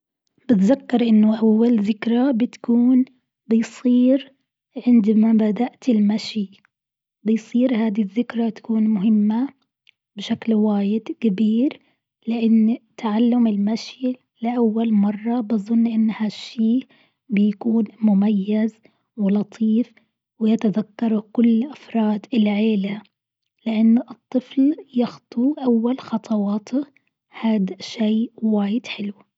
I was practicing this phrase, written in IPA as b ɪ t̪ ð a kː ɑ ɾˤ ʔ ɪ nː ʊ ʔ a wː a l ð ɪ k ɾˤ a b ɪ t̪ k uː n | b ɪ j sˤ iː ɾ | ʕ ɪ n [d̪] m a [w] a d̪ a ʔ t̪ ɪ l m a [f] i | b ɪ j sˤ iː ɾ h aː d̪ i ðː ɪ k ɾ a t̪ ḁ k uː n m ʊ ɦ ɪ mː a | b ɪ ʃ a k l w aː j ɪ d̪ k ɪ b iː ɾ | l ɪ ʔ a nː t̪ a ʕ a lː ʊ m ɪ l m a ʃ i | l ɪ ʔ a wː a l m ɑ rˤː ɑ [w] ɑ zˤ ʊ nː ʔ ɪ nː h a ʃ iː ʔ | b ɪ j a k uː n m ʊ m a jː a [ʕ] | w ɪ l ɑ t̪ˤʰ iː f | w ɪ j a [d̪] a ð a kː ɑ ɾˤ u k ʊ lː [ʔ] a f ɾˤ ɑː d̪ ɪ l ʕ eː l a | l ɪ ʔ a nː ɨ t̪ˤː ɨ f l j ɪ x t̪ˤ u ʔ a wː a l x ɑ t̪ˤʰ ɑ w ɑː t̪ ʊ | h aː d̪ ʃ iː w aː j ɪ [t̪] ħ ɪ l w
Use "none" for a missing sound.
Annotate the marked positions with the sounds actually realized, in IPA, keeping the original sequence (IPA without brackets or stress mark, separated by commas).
d̪, b, ʃ, b, z, t̪, ʔ, d̪